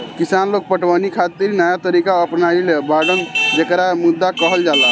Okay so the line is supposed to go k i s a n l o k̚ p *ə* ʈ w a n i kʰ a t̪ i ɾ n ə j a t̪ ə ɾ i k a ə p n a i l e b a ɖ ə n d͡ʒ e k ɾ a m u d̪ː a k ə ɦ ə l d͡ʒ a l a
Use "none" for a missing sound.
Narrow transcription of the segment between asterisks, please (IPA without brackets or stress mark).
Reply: ə